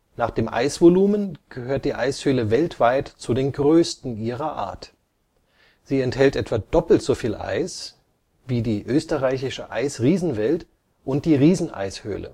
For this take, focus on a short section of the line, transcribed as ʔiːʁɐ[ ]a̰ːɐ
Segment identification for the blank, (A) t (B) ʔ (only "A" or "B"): B